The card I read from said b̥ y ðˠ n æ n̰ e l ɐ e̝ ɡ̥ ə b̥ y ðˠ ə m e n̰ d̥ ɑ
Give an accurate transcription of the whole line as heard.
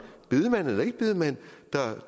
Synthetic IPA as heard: b̥ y ðˠ m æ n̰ e l ɐ e̝ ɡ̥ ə b̥ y ðˠ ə m æ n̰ d̥ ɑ

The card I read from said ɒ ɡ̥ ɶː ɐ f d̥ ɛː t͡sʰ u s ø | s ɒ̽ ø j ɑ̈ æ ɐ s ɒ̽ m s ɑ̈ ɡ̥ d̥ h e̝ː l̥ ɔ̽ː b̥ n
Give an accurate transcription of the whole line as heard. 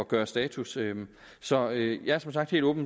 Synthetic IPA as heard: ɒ ɡ̥ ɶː ɐ s d̥ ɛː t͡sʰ u s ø | s ɒ̽ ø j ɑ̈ æ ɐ s ɒ̽ m s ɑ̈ ɡ̥ d̥ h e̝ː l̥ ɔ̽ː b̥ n

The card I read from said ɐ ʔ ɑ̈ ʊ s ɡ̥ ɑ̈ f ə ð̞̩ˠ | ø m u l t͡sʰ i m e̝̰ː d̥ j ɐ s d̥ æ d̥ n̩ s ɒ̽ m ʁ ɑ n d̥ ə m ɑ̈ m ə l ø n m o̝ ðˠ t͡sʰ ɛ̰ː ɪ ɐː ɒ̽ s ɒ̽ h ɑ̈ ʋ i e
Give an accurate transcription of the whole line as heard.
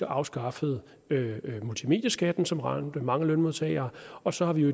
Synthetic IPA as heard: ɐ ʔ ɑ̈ ʊ s ɡ̥ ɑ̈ f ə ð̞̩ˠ | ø m u l t͡sʰ i m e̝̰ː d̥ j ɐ s ɡ̥ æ d̥ n̩ s ɒ̽ m ʁ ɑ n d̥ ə m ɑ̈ ŋ ə l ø n m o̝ ðˠ t͡sʰ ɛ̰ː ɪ ɐː ɒ̽ s ɒ̽ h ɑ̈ ʋ i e

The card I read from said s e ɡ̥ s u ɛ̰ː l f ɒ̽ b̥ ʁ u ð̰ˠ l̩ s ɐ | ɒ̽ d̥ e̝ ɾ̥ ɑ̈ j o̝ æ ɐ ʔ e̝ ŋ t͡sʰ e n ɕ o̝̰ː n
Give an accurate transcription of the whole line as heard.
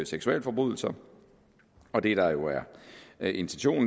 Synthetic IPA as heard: s e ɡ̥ s u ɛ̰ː l f ɒ̽ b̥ ʁ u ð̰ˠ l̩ s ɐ | ɒ̽ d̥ e̝ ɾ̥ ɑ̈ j o̝ æ ɐ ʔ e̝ n t͡sʰ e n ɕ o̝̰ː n

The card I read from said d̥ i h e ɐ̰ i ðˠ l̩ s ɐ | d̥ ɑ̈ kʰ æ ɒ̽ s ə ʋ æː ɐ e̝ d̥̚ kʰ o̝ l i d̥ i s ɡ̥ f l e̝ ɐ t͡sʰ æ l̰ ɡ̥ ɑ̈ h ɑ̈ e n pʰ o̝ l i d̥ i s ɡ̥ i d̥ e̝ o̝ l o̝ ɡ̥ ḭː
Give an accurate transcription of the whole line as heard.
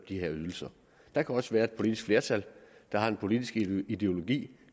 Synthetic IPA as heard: d̥ i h e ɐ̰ y ðˠ l̩ s ɐ | d̥ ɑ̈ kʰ æ ɒ̽ s ə ʋ æː ɐ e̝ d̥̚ pʰ o̝ l i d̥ i s ɡ̥ f l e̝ ɐ t͡sʰ æ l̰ d̥ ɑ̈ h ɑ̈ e n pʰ o̝ l i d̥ i s ɡ̥ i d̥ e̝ o̝ l o̝ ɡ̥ ḭː

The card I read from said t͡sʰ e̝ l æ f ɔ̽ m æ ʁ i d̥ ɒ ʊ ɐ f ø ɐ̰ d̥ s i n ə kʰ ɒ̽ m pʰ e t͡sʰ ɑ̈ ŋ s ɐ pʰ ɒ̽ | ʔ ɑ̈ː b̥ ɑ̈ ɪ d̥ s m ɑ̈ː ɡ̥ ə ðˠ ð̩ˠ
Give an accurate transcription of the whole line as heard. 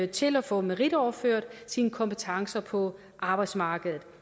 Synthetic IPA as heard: t͡sʰ e̝ l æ f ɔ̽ m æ ʁ i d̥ ɒ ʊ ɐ f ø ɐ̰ d̥ s i n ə kʰ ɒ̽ m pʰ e t͡sʰ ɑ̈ ŋ s ɐ pʰ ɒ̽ | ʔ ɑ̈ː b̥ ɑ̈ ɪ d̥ s m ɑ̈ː ɡ̥ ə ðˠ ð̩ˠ

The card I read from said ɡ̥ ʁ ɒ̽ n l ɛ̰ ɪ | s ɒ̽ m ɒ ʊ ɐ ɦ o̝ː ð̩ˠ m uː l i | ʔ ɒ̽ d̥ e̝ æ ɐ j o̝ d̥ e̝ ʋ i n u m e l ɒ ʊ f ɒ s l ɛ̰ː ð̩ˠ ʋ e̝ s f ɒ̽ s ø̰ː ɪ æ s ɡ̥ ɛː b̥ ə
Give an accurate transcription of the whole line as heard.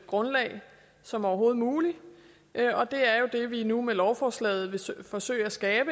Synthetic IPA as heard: ɡ̥ ʁ ɔ̽ n l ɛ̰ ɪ | s ɒ̽ m ɒ ʊ ɐ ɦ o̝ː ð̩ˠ m uː l i | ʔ ɒ̽ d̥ e̝ æ ɐ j o̝ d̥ e̝ ʋ i n u m e l ɒ ʊ f ɒ s l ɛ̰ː ð̩ˠ ʋ e̝ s f ɒ̽ s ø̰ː ɪ æ s ɡ̥ ɛː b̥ ə

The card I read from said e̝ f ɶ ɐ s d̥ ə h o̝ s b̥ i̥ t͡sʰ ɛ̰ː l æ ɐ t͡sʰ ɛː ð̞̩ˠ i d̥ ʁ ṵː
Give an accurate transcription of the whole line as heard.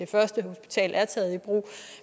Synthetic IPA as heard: e̝ f ɶ ɐ s d̥ ə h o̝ s b̥ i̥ t͡sʰ ɛ̰ː l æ ɐ t͡sʰ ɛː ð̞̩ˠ i b̥ ʁ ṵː

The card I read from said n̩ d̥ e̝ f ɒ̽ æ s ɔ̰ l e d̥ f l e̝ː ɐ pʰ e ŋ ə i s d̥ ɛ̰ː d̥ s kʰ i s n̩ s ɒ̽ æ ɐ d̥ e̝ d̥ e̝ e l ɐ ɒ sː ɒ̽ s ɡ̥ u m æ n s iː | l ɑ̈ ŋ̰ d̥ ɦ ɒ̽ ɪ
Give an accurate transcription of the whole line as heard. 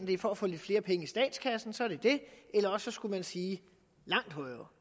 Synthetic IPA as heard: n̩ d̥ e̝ f ɒ̽ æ f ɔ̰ l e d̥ f l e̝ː ɐ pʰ e ŋ ə i s d̥ ɛ̰ː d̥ s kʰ æ s n̩ s ɒ̽ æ ɐ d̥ e̝ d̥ e̝ e l ɐ ɒ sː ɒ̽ s ɡ̥ u m æ n s iː | l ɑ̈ ŋ̰ d̥ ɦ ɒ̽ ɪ

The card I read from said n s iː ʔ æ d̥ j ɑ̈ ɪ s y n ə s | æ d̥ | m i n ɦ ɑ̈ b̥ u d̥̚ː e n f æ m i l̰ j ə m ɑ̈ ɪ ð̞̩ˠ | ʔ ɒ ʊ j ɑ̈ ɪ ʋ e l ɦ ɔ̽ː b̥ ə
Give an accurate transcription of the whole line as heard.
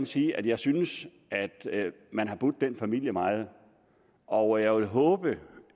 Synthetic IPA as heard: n s iː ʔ æ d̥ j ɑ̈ ɪ s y n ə s | æ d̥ | m æ n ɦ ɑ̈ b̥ u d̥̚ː e n f æ m i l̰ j ə m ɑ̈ ɪ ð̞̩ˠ | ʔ ɒ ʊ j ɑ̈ ɪ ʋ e l ɦ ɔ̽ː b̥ ə

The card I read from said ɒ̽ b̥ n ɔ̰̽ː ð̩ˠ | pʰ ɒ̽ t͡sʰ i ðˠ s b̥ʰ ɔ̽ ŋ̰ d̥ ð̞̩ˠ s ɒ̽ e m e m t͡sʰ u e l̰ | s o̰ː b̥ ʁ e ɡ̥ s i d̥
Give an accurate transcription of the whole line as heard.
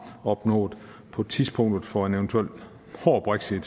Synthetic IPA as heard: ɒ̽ b̥ n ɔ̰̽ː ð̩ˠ | pʰ ɒ̽ t͡sʰ i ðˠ s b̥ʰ ɔ̽ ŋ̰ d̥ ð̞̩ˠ f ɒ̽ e n e n t͡sʰ u e l̰ | h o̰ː b̥ ʁ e ɡ̥ s i d̥

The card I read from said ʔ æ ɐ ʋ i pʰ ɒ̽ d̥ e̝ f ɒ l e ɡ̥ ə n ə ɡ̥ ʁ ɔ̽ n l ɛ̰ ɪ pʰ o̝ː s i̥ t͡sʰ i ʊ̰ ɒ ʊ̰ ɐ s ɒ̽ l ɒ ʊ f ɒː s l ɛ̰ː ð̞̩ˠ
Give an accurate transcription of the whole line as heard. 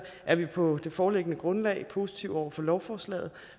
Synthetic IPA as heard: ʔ æ ɐ ʋ i pʰ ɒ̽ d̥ e̝ f ɒː l e ɡ̥ ə n ə ɡ̥ ʁ ɔ̽ n l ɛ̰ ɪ pʰ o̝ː s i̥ t͡sʰ i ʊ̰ ɒ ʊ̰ ɐ f ɒ̽ l ɒ ʊ f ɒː s l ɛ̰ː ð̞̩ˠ

